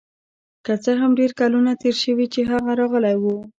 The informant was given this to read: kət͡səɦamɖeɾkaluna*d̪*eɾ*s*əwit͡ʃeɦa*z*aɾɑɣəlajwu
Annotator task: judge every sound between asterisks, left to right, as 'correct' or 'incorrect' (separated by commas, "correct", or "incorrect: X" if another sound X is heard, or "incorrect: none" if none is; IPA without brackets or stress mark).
incorrect: t̪, incorrect: ʃ, incorrect: ɣ